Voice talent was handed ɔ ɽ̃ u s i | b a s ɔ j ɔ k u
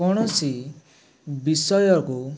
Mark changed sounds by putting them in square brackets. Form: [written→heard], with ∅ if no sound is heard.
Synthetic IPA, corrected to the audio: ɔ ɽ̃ [u→ɔ] s i | b [a→i] s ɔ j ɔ k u